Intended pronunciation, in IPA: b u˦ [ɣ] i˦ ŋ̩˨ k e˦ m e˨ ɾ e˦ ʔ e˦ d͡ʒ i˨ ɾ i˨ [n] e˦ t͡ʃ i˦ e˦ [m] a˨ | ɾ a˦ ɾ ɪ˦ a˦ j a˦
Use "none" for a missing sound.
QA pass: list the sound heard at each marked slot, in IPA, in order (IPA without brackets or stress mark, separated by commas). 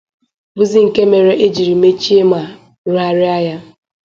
z, m, m